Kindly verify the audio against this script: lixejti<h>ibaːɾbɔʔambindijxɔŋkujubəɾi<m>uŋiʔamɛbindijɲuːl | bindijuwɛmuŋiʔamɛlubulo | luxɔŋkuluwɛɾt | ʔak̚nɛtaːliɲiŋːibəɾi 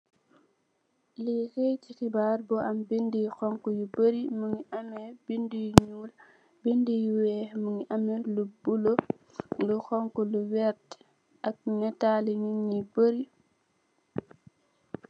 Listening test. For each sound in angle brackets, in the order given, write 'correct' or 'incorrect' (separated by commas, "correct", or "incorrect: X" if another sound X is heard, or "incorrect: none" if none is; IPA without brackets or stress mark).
incorrect: x, correct